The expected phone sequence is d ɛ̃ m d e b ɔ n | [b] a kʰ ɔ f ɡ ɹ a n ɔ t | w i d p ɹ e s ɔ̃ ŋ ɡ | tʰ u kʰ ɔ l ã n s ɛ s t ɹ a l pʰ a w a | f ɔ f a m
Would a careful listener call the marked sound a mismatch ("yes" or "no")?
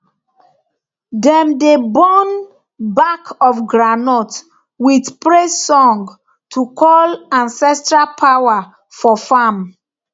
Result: no